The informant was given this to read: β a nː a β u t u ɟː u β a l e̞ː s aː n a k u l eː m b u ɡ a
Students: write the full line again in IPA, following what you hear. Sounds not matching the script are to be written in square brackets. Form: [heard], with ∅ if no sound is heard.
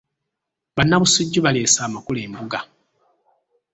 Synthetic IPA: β a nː a β u [s] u ɟː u β a l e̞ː s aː [m] a k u l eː m b u ɡ a